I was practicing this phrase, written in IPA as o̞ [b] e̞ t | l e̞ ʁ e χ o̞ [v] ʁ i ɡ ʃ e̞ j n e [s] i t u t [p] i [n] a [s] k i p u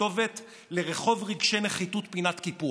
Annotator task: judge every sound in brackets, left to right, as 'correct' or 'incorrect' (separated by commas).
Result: incorrect, correct, incorrect, correct, correct, incorrect